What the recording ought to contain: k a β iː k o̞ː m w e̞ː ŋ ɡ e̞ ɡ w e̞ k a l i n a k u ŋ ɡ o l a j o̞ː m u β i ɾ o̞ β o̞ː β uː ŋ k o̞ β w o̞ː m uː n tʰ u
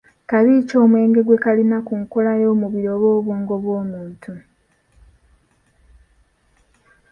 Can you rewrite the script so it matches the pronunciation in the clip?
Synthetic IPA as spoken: k a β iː c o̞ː m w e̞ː ŋ ɡ e̞ ɡ w e̞ k a l i n a k u ŋ k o l a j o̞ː m u β i ɾ o̞ β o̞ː β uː ŋ ɡ o̞ β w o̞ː m uː n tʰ u